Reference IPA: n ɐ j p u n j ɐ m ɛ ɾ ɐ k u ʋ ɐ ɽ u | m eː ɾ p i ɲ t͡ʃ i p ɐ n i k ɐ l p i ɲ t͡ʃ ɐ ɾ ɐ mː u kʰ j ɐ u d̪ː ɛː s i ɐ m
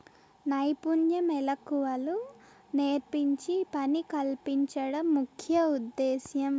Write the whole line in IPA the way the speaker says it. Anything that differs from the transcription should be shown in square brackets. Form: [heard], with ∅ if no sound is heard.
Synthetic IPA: n ɐ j p u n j ɐ m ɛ [l] ɐ k u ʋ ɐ [l] u | [n] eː ɾ p i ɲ t͡ʃ i p ɐ n i k ɐ l p i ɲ t͡ʃ ɐ [ɽ] ɐ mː u kʰ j ɐ u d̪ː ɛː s [j] ɐ m